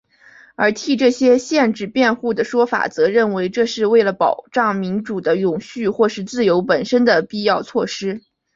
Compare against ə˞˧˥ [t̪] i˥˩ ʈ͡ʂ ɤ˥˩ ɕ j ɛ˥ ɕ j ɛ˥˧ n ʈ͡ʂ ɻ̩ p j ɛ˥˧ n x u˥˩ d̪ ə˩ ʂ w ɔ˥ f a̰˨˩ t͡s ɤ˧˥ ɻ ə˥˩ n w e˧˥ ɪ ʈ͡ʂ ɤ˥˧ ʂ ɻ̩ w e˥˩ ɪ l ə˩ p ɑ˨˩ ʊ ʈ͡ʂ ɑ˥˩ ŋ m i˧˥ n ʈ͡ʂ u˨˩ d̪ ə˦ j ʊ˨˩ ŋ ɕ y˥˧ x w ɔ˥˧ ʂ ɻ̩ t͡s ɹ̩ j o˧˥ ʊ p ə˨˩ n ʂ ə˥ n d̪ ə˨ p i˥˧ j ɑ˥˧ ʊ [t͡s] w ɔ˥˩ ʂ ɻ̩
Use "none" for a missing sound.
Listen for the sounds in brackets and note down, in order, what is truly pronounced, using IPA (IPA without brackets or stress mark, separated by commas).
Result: t̪ʰ, t͡sʰ